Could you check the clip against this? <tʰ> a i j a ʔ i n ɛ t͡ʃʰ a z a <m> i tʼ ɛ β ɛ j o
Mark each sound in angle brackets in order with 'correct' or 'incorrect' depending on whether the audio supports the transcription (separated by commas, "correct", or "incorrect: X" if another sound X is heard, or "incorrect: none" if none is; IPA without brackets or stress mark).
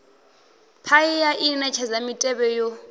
incorrect: pʰ, correct